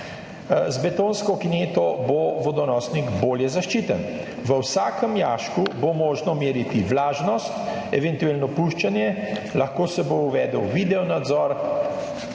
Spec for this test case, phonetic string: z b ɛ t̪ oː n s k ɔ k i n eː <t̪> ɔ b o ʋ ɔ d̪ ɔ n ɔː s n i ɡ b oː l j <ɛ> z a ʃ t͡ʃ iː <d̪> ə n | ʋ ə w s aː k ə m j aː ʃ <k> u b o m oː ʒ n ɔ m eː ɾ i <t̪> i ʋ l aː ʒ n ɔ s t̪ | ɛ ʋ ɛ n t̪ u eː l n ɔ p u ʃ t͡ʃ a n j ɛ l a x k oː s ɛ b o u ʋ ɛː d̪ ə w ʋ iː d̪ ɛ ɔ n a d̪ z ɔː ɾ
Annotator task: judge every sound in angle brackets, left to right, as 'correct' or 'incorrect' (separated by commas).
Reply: correct, correct, incorrect, correct, correct